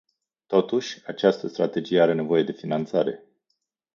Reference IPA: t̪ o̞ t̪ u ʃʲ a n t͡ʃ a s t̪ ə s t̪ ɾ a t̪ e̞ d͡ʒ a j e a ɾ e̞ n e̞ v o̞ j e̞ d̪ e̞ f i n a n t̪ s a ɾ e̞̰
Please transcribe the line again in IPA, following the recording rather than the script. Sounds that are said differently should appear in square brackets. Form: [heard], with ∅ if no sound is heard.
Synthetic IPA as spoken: t̪ o̞ t̪ u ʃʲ a [∅] t͡ʃ a s t̪ ə s t̪ ɾ a t̪ e̞ d͡ʒ [i] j e a ɾ e̞ n e̞ v o̞ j e̞ d̪ e̞ f i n a n t̪ s a ɾ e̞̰

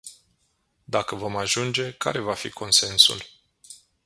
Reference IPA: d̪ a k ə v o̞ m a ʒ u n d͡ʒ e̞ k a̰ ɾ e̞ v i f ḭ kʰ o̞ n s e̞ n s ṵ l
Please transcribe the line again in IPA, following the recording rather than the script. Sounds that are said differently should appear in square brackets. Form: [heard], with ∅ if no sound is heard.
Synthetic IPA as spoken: d̪ a k ə v o̞ m a ʒ u n d͡ʒ e̞ k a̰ ɾ e̞ v [a] f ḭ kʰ o̞ n s e̞ n s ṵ l

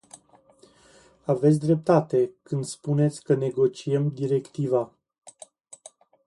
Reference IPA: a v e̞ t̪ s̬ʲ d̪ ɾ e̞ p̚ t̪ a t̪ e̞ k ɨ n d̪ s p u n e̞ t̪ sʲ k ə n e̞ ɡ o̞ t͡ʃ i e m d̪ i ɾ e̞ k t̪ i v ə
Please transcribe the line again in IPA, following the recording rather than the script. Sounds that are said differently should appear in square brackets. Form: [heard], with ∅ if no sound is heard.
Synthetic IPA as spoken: a v e̞ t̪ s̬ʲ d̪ ɾ e̞ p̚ t̪ a t̪ e̞ k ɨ n d̪ s p u n e̞ t̪ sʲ k ə n e̞ ɡ o̞ t͡ʃ i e m d̪ i ɾ e̞ k t̪ i v [a]

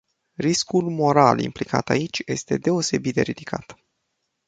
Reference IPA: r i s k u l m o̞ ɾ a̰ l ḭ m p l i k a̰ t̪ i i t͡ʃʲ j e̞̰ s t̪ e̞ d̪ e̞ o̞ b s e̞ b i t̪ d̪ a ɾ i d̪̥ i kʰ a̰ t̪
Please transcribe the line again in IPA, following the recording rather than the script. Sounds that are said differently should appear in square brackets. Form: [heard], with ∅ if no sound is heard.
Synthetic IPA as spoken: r i s k u l m o̞ ɾ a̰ l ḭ m p l i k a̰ t̪ [a] i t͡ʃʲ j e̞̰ s t̪ e̞ d̪ e̞ o̞ [∅] s e̞ b i t̪ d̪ [e] ɾ i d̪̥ i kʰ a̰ t̪

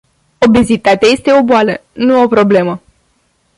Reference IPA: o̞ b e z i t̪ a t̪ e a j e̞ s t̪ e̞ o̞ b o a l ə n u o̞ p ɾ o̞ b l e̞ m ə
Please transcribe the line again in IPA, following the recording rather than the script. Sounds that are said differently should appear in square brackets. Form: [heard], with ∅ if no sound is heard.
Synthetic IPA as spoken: o̞ b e z i t̪ a t̪ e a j e̞ s t̪ e̞ o̞ b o a l ə n u o̞ p ɾ o̞ b l e̞ m ə

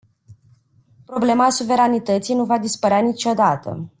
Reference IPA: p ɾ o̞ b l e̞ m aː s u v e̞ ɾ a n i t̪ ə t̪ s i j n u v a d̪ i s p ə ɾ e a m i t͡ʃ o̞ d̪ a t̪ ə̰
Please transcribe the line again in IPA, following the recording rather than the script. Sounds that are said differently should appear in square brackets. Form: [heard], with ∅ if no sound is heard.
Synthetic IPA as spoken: p ɾ o̞ b l e̞ m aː s u v e̞ ɾ a n i t̪ ə t̪ s i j n u v a d̪ i s p ə ɾ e a [n] i t͡ʃ o̞ d̪ a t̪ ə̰

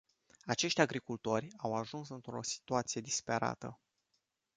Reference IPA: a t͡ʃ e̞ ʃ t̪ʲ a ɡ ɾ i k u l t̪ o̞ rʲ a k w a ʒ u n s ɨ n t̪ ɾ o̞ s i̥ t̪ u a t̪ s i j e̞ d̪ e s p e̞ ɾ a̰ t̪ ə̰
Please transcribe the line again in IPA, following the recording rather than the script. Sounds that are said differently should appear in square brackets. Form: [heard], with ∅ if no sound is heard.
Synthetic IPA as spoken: a t͡ʃ e̞ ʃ t̪ʲ a ɡ ɾ i k u l t̪ o̞ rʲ a [∅] w a ʒ u n s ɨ n t̪ ɾ o̞ s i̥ t̪ u a t̪ s i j e̞ d̪ [i] s p e̞ ɾ a̰ t̪ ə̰

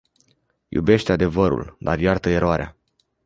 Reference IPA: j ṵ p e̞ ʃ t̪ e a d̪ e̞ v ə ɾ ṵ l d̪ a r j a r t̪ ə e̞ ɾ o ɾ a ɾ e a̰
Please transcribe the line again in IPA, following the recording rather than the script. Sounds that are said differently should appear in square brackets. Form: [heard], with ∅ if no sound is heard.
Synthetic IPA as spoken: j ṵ [b] e̞ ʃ t̪ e a d̪ e̞ v ə ɾ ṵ l d̪ a r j a r t̪ ə e̞ ɾ o [∅] a ɾ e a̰

